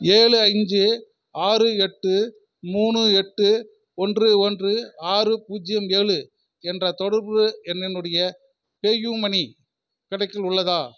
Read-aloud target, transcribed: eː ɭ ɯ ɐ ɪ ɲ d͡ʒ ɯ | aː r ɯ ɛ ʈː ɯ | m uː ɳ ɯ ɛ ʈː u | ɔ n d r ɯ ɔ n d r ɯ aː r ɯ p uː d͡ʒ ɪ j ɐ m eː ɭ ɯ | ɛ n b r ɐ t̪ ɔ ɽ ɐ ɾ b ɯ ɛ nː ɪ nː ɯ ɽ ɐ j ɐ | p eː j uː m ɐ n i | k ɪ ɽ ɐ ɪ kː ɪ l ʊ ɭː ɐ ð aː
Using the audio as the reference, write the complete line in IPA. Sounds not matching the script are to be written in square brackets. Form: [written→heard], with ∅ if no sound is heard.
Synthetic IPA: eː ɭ ɯ ɐ ɪ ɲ d͡ʒ ɯ | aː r ɯ ɛ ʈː ɯ | m uː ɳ ɯ ɛ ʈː [u→ɯ] | ɔ n d r ɯ ɔ n d r ɯ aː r ɯ p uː d͡ʒ ɪ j ɐ m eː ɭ ɯ | ɛ n [b→d] r ɐ t̪ ɔ ɽ ɐ ɾ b ɯ ɛ nː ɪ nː ɯ ɽ ɐ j ɐ | p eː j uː m ɐ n i | k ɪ ɽ ɐ ɪ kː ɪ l ʊ ɭː ɐ ð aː